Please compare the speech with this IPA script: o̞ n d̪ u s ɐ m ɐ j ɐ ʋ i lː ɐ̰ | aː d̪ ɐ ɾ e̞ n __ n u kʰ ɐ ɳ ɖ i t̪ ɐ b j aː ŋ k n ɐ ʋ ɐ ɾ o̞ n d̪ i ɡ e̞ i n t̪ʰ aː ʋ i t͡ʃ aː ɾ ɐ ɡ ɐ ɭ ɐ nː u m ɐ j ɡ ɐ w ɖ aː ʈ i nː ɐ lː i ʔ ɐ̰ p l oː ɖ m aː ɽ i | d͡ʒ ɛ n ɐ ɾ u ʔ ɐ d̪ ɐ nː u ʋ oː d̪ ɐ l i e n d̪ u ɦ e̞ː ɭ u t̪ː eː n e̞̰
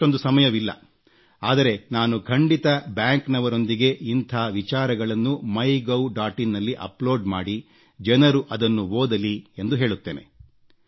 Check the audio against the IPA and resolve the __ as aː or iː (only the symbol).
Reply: aː